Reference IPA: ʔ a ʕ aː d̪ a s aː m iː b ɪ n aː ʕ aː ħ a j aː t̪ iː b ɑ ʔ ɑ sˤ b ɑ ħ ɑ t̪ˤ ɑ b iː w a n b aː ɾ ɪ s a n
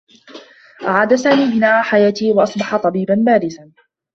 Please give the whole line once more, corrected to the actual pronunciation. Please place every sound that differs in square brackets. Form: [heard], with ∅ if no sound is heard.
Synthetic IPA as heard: ʔ a ʕ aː d̪ a s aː m iː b ɪ n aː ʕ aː ħ a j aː t̪ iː [w] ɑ ʔ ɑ sˤ b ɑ ħ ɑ t̪ˤ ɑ b iː [b] a n b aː ɾ ɪ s a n